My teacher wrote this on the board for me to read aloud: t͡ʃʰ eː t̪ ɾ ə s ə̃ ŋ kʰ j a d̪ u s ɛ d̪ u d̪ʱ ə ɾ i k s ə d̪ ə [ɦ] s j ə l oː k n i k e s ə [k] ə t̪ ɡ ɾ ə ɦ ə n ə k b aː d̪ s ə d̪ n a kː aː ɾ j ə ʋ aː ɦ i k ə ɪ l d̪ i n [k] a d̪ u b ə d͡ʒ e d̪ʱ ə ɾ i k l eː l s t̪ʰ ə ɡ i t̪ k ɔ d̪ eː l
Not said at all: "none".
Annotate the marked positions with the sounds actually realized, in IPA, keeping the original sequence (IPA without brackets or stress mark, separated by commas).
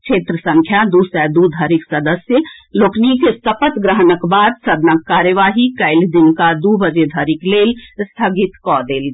none, p, k